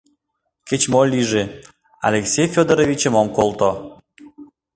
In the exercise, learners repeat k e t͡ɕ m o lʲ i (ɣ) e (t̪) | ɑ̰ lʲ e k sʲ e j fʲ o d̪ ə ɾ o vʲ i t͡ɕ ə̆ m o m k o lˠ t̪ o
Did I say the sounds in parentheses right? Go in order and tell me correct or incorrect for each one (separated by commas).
incorrect, incorrect